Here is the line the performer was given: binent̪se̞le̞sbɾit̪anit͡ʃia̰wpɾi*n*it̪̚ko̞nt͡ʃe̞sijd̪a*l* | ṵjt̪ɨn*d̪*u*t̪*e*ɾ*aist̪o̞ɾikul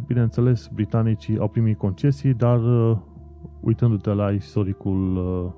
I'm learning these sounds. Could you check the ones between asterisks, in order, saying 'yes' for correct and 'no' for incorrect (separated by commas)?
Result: no, no, yes, yes, no